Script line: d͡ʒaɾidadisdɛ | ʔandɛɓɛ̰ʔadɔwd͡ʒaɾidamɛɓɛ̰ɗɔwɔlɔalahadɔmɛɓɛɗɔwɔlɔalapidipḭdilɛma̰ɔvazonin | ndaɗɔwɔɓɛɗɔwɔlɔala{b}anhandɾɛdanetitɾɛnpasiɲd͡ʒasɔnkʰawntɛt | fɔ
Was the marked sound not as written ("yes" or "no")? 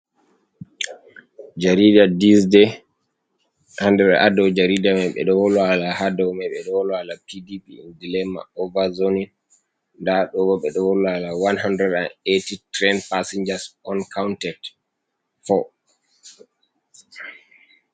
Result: yes